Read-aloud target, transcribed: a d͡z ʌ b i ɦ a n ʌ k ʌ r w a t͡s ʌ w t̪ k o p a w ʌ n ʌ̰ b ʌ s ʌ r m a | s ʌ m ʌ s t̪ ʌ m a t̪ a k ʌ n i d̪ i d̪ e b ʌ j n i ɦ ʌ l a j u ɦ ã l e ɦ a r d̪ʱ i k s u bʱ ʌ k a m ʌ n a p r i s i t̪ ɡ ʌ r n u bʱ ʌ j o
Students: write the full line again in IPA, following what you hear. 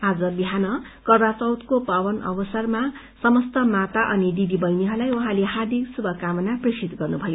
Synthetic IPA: a d͡z ʌ b i ɦ a n ʌ k ʌ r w a t͡s ʌ w t̪ k o p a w ʌ n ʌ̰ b ʌ s ʌ r m a | s ʌ m ʌ s t̪ ʌ m a t̪ a ʔ ʌ n i d̪ i d̪ i b ʌ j n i ɦ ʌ l a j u ɦ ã l e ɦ a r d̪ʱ i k s u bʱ ʌ k a m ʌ n a p r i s i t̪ ɡ ʌ r n u bʱ ʌ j o

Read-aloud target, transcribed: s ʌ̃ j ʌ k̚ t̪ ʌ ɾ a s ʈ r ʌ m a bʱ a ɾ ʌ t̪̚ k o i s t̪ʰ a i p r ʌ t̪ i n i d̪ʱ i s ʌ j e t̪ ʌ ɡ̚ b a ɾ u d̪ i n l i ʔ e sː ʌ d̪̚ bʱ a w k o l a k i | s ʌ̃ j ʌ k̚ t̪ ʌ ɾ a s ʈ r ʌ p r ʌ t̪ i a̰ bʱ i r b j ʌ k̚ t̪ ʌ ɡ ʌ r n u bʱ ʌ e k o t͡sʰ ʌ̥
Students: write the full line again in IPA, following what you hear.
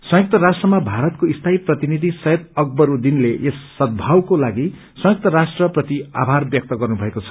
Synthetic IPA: s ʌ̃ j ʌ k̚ t̪ ʌ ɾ a s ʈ r ʌ m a bʱ a ɾ ʌ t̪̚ k o i s t̪ʰ a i p r ʌ t̪ i n i d̪ʱ i s ʌ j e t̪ ʌ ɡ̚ b ʌ ɾ u d̪ i n l e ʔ e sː ʌ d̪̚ bʱ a w k o l a ɡ i | s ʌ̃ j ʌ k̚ t̪ ʌ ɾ a s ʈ r ʌ p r ʌ t̪ i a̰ bʱ a r b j ʌ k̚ t̪ ʌ ɡ ʌ r n u bʱ ʌ e k o t͡sʰ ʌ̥

